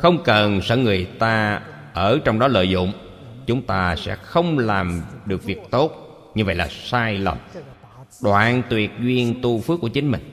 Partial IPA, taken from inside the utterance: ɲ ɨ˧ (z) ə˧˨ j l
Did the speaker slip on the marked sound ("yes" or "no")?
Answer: yes